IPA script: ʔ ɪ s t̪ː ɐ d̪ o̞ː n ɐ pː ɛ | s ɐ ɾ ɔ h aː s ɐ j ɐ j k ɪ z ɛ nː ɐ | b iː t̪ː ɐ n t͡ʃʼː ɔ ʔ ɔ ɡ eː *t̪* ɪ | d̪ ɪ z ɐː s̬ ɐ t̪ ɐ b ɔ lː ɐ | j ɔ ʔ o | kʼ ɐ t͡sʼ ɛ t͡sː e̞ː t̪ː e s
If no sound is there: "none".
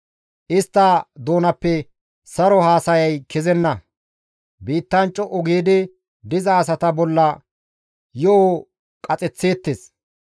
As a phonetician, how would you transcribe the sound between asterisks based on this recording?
d̪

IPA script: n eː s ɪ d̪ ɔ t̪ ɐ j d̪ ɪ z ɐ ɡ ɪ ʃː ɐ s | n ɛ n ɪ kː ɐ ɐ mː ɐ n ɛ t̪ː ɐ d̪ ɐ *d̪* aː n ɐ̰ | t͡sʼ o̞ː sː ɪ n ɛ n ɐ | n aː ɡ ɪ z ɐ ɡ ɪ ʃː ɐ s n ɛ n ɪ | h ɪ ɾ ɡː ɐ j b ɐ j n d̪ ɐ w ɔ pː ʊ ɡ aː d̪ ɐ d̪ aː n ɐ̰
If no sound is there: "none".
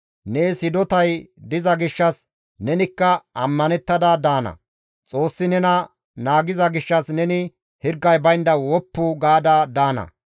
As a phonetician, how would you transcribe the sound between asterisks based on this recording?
d̪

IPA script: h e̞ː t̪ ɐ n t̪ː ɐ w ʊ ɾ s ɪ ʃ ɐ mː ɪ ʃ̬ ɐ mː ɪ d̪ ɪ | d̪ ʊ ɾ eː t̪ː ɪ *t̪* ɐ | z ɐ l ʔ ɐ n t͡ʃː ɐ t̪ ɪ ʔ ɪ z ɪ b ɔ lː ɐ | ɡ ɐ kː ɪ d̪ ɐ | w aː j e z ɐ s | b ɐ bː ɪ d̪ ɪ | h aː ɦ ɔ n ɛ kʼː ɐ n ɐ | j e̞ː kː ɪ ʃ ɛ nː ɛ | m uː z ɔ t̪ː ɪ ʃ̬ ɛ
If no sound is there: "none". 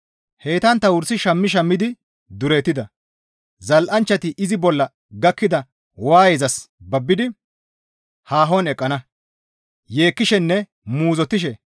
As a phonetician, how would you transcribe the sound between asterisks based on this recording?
d̪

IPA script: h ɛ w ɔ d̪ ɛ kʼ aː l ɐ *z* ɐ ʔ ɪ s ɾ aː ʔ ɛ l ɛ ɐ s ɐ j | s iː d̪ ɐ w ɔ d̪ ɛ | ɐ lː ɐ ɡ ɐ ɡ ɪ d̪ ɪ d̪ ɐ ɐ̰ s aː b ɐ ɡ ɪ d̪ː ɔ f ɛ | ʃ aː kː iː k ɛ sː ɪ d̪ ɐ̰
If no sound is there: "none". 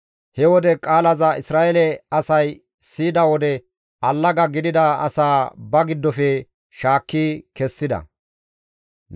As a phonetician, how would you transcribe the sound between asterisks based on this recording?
z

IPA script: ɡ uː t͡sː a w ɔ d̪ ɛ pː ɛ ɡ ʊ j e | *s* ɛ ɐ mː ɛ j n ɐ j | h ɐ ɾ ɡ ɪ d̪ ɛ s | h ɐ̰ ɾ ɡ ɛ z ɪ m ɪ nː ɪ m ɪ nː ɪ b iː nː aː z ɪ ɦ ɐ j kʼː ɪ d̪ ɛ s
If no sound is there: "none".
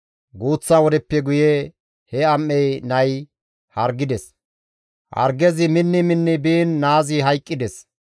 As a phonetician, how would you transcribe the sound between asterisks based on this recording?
h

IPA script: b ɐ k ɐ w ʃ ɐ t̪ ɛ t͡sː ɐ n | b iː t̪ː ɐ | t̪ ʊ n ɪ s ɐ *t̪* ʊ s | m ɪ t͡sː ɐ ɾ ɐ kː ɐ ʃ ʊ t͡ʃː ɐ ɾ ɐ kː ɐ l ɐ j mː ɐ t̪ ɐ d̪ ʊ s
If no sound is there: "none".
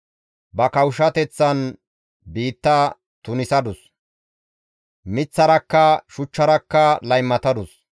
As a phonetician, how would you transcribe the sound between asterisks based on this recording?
d̪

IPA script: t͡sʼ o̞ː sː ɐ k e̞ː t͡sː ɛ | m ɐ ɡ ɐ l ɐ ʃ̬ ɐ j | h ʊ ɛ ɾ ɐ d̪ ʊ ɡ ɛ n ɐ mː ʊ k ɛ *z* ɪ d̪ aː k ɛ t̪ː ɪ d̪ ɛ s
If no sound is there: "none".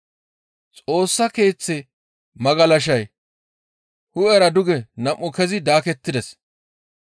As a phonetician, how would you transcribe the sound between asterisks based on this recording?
z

